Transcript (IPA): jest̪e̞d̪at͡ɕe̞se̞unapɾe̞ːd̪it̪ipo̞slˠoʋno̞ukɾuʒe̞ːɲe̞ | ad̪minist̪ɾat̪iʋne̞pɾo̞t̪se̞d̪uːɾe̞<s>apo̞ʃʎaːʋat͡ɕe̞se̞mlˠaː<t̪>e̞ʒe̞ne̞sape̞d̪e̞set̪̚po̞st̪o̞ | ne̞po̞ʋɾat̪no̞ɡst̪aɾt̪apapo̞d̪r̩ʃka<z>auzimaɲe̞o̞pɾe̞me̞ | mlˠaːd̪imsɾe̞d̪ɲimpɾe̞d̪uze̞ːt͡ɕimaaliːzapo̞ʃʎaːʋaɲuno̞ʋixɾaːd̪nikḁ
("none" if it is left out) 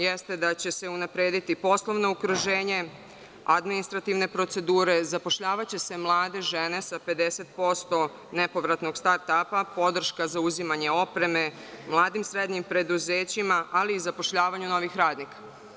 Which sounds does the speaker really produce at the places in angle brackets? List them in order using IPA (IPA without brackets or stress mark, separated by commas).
z, d̪, z